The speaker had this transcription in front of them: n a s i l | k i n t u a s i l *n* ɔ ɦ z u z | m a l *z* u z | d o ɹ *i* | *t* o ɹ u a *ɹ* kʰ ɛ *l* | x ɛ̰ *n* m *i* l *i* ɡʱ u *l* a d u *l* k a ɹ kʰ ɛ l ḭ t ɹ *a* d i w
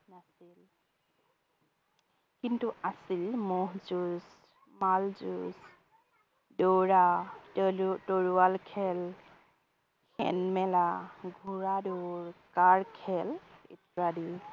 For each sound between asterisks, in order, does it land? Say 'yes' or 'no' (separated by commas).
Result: no, yes, no, yes, no, yes, yes, no, no, no, no, yes